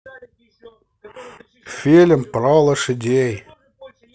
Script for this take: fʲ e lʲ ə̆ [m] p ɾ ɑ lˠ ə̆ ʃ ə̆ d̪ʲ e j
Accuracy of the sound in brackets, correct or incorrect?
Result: correct